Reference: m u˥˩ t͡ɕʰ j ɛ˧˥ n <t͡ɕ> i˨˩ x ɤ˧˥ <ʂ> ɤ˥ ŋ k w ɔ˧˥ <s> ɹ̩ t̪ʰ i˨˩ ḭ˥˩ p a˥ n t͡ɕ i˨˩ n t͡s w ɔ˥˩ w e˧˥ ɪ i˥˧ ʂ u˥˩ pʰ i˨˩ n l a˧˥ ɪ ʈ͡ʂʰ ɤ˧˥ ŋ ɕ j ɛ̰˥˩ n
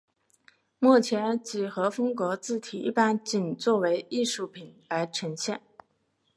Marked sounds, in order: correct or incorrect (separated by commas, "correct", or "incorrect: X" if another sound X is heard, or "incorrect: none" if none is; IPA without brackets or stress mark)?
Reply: correct, incorrect: f, incorrect: t͡s